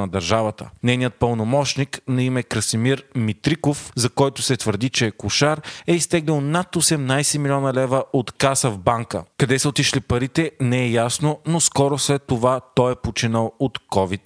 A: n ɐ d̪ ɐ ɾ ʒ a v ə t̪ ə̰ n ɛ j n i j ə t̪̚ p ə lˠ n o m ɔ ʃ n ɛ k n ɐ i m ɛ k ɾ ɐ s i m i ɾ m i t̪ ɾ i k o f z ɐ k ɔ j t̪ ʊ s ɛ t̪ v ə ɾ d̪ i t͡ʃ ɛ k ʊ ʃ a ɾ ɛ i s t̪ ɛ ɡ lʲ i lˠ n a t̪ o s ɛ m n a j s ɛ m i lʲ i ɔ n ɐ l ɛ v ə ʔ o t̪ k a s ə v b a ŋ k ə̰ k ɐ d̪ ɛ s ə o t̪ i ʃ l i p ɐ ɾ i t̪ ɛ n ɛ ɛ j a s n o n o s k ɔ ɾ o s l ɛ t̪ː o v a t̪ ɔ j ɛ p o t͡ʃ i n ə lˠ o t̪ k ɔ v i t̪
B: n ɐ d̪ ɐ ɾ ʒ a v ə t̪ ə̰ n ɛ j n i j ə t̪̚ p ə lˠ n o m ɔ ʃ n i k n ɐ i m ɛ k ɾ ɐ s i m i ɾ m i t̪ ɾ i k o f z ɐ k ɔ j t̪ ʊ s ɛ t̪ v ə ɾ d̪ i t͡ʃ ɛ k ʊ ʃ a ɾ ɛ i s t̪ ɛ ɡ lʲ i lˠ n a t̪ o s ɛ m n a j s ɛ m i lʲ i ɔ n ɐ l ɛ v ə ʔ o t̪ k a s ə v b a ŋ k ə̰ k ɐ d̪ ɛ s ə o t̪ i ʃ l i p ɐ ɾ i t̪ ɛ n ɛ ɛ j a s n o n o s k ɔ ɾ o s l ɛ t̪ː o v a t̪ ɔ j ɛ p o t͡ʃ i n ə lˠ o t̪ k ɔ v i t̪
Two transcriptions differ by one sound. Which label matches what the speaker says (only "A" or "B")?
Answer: B